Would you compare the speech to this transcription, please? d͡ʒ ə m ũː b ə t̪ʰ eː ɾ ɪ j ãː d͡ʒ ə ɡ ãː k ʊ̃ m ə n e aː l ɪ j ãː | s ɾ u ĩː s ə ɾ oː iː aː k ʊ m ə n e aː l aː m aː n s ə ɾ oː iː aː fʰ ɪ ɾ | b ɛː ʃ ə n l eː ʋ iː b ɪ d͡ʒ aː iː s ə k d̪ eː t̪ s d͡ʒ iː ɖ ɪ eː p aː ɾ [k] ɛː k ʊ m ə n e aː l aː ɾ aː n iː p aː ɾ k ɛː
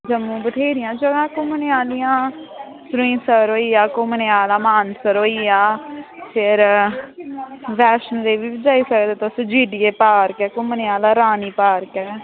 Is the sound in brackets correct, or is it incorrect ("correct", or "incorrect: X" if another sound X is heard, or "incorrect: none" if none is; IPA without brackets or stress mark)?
correct